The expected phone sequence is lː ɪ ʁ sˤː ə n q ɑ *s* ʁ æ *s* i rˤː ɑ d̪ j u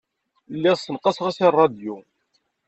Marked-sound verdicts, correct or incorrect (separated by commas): correct, correct